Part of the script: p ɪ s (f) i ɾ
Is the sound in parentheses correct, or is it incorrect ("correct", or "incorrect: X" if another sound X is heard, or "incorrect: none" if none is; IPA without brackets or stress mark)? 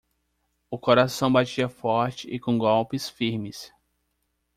correct